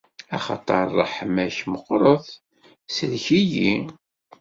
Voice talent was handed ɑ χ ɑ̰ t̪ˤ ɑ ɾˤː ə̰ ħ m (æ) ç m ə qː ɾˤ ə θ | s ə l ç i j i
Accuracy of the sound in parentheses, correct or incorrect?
correct